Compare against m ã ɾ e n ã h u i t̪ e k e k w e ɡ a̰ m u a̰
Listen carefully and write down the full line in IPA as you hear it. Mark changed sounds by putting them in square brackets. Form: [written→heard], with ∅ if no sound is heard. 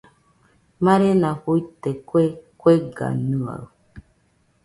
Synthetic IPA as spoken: m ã ɾ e n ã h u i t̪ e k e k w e ɡ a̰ [m→n] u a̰